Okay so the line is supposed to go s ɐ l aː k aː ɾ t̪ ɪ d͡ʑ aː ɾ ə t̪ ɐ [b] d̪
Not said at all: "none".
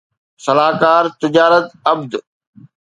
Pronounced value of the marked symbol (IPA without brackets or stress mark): b